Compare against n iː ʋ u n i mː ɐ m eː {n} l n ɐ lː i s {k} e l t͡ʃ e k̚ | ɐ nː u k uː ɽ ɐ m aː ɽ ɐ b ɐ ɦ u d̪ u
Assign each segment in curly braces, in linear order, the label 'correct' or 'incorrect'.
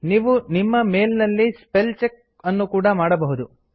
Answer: incorrect, incorrect

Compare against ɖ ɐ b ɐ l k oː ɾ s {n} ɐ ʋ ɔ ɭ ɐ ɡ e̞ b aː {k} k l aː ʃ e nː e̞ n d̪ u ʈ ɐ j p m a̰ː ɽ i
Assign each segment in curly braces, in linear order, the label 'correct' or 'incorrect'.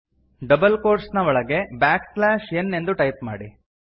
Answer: correct, correct

